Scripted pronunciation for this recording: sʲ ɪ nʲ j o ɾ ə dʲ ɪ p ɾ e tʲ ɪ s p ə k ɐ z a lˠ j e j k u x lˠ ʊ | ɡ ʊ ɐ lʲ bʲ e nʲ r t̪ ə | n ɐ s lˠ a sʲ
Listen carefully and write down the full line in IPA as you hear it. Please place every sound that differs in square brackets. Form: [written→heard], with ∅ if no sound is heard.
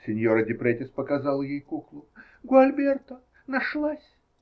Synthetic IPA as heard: sʲ ɪ nʲ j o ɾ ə dʲ ɪ p ɾ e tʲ ɪ s p ə k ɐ z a lˠ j e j k u [x→k] lˠ ʊ | ɡ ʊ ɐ lʲ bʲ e [nʲ→∅] r t̪ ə | n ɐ [s→ʂ] lˠ a sʲ